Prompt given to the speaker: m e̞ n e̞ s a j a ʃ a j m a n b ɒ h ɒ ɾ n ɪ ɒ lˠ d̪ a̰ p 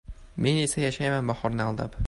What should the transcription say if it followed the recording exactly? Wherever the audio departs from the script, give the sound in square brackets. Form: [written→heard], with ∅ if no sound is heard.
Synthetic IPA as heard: m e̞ n e̞ s a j a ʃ a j m a n b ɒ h ɒ ɾ n ɪ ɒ lˠ d̪ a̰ p